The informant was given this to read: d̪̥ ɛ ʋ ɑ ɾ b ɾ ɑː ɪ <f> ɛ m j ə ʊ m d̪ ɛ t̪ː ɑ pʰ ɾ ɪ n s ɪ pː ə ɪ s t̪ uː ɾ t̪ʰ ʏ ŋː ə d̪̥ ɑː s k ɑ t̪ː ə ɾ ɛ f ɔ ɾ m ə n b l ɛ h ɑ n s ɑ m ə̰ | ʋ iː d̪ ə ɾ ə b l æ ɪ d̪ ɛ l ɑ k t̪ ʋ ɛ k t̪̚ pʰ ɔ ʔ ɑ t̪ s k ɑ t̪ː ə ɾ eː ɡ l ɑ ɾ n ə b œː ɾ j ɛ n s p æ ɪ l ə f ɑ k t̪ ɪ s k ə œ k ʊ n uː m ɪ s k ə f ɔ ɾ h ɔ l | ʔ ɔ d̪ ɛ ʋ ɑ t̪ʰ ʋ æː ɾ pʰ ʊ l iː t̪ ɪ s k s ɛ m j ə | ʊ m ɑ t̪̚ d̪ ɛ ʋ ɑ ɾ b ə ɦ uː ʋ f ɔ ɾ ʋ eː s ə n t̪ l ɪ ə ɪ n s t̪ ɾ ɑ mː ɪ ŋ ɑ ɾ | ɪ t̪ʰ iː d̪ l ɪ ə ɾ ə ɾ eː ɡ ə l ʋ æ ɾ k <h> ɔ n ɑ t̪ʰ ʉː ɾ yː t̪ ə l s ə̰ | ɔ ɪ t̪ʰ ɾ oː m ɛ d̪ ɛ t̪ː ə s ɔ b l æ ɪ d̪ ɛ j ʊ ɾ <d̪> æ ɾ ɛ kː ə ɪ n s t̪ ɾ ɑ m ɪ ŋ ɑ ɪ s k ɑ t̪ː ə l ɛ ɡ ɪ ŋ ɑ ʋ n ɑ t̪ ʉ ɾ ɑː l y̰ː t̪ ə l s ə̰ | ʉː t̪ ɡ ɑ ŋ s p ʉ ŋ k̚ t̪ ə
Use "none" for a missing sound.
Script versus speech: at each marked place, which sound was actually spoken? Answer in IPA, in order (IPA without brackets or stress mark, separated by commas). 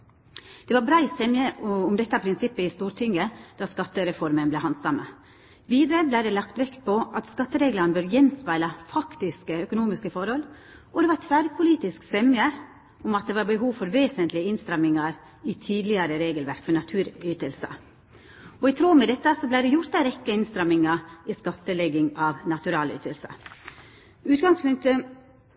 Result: s, f, t̪